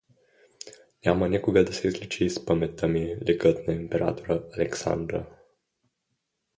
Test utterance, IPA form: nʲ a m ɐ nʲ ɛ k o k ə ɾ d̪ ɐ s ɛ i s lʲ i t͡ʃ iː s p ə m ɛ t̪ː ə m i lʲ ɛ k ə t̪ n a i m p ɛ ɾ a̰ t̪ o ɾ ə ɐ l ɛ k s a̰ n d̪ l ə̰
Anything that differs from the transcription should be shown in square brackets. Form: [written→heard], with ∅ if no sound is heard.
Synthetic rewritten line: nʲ a m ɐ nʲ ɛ k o [k→ɡ] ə [ɾ→∅] d̪ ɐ s ɛ i [s→z] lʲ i t͡ʃ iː s p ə m ɛ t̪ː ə m i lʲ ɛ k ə t̪ n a i m p ɛ ɾ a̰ t̪ o ɾ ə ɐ l ɛ k s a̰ n d̪ [l→ɾ] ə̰